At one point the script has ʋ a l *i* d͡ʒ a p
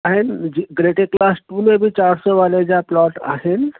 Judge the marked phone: incorrect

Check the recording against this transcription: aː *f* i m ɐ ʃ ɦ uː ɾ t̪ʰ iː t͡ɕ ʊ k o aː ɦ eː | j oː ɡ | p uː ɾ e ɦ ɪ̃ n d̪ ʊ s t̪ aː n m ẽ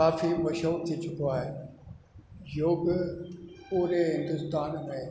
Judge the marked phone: correct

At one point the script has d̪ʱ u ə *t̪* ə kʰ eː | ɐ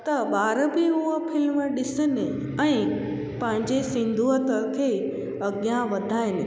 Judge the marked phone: correct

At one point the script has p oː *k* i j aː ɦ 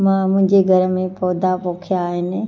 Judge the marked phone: incorrect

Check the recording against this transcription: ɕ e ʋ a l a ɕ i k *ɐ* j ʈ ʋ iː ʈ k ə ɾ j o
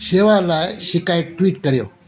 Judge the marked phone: incorrect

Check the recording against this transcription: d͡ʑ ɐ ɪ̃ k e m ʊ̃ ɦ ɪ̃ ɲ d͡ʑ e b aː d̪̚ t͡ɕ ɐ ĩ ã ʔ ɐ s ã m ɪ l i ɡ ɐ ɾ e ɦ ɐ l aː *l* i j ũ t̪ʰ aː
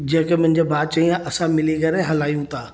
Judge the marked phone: incorrect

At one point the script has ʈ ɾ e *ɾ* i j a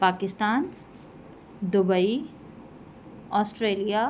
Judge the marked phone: incorrect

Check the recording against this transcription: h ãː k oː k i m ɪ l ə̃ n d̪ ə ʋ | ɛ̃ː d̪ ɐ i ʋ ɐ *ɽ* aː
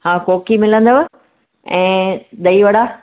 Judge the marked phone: correct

